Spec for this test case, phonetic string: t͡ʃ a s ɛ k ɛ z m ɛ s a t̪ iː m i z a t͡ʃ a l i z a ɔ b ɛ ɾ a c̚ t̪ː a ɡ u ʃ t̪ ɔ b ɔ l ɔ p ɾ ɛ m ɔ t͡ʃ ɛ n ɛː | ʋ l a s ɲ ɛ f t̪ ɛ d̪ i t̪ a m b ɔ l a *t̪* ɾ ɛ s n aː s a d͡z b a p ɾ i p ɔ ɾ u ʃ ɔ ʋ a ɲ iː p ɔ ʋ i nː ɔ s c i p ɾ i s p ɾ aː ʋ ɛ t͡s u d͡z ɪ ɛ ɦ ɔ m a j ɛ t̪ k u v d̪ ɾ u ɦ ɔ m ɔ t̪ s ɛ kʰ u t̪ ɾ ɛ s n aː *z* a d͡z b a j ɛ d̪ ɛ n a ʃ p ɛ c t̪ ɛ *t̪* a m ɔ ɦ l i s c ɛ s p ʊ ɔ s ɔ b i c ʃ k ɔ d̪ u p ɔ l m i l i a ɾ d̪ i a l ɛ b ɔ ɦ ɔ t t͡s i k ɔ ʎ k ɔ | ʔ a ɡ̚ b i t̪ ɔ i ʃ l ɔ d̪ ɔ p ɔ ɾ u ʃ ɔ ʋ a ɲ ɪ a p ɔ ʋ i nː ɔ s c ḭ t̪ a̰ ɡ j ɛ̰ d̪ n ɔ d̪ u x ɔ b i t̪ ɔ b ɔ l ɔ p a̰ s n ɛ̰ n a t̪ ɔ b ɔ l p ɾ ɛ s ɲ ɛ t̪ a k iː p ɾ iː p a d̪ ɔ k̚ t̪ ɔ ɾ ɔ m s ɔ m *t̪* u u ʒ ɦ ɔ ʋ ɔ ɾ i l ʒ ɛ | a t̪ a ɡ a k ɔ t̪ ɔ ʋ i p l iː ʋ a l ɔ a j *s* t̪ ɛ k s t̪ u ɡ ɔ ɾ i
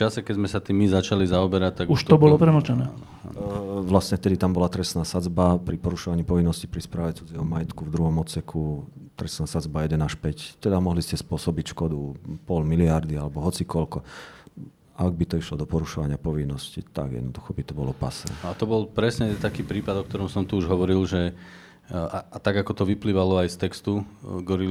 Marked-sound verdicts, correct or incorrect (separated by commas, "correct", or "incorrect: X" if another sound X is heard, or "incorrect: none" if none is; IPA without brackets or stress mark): correct, incorrect: s, incorrect: d̪, correct, correct